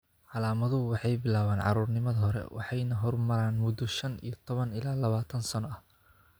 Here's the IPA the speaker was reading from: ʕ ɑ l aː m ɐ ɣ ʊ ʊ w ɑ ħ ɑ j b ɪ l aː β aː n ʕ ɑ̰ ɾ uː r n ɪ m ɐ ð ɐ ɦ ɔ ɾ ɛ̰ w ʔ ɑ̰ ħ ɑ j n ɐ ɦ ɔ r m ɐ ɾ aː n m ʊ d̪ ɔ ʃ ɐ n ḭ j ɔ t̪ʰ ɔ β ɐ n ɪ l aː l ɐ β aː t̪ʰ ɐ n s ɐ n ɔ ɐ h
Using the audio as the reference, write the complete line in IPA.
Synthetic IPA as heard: ʕ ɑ l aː m ɐ ð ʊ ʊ w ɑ ħ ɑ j b ɪ l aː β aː n ʕ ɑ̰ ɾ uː r n ɪ m ɐ ð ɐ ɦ ɔ ɾ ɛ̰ w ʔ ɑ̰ ħ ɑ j n ɐ ɦ ɔ r m ɐ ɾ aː n m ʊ d̪ ɔ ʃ ɐ n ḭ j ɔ t̪ʰ ɔ β ɐ n ɪ l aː l ɐ β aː t̪ʰ ɐ n s ɐ n ɔ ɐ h